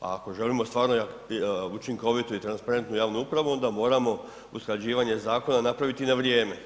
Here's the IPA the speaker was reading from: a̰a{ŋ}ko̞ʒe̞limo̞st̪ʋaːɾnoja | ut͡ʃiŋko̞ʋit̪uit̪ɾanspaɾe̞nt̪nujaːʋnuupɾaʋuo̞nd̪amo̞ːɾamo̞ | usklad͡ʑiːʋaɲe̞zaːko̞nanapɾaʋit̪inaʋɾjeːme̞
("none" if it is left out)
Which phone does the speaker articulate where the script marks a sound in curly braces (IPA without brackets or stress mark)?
none